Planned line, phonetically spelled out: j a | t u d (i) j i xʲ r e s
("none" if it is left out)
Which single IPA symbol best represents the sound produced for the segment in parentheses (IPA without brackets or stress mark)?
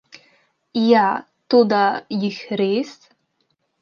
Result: a